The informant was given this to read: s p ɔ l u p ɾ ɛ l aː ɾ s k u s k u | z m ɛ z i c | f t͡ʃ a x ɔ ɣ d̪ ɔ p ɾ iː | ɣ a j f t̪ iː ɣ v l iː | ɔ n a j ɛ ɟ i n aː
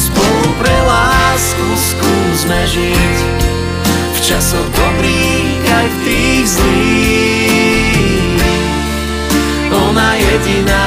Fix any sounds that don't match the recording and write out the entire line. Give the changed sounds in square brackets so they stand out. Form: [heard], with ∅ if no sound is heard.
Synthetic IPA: s p ɔ l u p ɾ ɛ l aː [∅] s k u s k u | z m ɛ [ʒ] i c | f t͡ʃ a [s] ɔ ɣ d̪ ɔ [b] ɾ iː | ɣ a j f t̪ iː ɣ [z] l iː | ɔ n a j ɛ ɟ i n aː